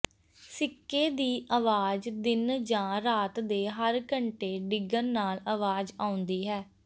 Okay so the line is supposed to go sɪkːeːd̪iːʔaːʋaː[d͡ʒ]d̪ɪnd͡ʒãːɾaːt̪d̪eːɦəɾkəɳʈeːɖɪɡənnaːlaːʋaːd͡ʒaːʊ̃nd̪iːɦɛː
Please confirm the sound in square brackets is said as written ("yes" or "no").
yes